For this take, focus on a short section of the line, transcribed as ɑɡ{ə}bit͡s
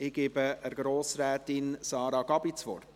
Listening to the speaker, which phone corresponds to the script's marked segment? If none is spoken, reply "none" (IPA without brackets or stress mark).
ɑ